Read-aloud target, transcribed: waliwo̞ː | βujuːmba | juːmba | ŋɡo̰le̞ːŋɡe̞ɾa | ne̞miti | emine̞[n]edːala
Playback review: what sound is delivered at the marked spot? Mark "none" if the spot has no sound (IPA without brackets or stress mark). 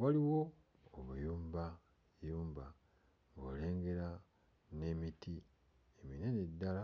n